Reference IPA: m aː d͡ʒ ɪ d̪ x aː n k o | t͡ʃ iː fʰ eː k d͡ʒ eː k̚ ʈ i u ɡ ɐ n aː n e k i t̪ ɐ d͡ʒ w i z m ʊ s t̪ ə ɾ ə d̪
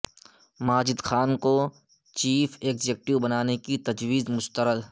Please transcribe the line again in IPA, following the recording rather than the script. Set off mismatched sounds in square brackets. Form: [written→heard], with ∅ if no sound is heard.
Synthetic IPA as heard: m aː d͡ʒ ɪ d̪ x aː n k o | t͡ʃ iː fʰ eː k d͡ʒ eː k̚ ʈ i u [ɡ→b] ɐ n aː n e k i t̪ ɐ d͡ʒ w [i→iː] z m ʊ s t̪ ə ɾ ə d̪